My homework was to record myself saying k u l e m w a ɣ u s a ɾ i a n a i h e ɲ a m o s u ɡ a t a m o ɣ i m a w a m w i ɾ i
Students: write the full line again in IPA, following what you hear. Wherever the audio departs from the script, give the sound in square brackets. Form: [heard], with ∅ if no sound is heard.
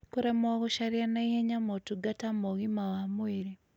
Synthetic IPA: k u [ɾ] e m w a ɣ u [ʃ] a ɾ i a n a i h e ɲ a m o [t] u ɡ a t a m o ɣ i m a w a m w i ɾ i